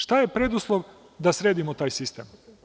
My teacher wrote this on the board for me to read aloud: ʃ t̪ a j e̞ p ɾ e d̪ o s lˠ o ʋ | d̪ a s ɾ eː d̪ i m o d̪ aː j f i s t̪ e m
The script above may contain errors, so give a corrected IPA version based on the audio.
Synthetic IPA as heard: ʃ t̪ a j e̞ p ɾ e d̪ u s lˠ o ʋ | d̪ a s ɾ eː d̪ i m o t̪ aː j s i s t̪ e m